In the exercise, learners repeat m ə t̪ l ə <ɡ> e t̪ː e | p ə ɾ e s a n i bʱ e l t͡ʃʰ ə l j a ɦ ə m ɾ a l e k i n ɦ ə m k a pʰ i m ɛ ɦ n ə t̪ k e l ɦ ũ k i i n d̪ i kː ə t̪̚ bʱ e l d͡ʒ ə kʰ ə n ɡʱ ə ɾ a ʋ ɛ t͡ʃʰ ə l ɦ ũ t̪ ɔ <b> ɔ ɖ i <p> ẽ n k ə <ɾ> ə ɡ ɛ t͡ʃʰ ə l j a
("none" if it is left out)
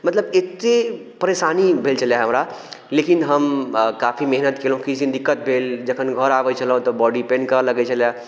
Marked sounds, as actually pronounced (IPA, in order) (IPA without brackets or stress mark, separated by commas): b, b, p, l